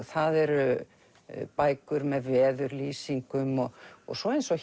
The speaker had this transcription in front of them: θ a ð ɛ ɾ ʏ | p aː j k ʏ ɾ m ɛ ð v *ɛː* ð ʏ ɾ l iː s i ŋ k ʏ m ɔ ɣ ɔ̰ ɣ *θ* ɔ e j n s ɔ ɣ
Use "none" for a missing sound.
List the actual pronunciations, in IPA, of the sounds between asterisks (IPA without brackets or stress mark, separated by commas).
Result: ɛː, s